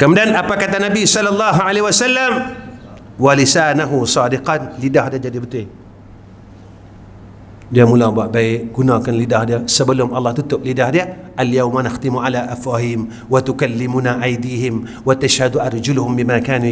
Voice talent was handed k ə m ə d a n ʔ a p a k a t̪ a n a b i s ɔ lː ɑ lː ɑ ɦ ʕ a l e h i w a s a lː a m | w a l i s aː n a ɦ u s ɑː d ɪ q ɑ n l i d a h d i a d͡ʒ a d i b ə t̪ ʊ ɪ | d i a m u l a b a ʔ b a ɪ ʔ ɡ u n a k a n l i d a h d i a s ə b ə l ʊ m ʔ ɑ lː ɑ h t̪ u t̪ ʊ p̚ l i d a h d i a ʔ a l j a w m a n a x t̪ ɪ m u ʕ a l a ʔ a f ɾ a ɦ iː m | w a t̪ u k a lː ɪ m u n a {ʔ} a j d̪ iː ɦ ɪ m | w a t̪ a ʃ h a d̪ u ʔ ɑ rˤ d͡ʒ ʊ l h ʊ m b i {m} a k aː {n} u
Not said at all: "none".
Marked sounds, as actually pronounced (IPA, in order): ʔ, m, n

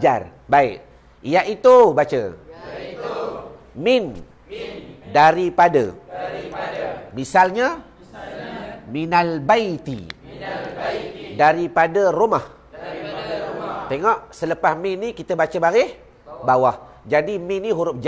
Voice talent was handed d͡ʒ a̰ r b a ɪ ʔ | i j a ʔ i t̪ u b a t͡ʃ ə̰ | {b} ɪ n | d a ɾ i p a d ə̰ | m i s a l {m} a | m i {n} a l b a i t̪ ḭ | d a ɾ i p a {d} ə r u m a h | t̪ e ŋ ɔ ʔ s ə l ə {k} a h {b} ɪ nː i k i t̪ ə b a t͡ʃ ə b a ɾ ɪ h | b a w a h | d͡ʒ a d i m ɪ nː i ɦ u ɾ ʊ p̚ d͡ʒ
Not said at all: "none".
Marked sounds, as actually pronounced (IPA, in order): m, ɲ, n, d, p, m

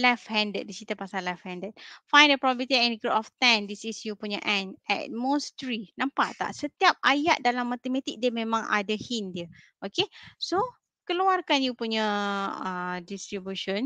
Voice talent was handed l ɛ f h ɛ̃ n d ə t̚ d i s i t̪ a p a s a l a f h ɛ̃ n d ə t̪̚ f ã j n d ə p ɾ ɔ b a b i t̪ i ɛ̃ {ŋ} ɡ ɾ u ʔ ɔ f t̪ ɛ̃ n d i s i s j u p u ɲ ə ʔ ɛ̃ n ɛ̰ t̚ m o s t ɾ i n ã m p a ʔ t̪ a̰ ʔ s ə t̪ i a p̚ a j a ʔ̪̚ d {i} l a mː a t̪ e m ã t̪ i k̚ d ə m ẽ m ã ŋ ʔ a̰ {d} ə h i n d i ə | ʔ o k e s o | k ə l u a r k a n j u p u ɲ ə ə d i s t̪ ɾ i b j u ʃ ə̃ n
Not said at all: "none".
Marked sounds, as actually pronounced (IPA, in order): n, a, d

